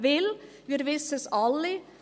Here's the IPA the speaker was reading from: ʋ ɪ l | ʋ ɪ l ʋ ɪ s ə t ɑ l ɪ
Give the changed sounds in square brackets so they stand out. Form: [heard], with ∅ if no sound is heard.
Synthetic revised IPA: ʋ ɪ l | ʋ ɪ [ɾ] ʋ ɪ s ə [s] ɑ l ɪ